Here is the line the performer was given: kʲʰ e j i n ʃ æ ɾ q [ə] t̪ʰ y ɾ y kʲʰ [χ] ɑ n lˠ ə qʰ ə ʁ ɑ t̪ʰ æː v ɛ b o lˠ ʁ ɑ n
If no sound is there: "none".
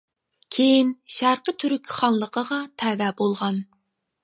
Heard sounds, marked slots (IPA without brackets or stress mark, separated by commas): ə, χ